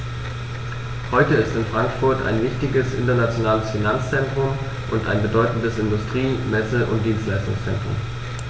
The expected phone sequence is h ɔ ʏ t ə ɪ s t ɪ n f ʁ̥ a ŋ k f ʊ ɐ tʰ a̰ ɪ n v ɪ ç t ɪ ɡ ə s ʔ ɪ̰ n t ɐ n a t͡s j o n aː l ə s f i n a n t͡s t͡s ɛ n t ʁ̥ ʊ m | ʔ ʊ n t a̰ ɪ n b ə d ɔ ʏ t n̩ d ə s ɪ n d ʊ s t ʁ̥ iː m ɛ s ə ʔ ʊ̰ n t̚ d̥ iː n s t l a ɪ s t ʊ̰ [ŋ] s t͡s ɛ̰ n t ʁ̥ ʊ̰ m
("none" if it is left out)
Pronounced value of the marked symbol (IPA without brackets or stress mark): ŋ